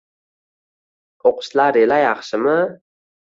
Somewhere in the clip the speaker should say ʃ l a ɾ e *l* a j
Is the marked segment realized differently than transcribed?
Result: no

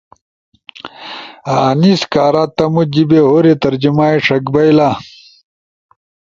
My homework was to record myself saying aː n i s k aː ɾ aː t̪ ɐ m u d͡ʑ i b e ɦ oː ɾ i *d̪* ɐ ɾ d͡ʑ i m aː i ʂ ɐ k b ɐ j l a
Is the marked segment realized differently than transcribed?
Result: yes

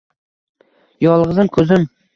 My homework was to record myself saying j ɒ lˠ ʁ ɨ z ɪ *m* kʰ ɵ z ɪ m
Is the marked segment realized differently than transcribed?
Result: no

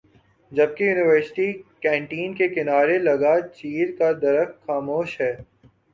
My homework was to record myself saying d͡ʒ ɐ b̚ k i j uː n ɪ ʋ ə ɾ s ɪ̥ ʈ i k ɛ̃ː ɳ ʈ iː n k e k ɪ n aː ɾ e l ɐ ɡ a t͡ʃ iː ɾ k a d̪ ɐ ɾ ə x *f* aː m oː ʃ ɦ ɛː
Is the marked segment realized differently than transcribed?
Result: yes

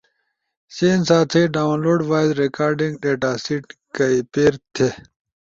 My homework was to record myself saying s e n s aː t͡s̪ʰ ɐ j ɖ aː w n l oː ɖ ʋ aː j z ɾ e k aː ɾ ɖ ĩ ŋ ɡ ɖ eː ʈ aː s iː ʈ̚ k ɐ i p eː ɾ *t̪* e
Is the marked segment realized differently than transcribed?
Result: yes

